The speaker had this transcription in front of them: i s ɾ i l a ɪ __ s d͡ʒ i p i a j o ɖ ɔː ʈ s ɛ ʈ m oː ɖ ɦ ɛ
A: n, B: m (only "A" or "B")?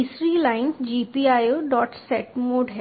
A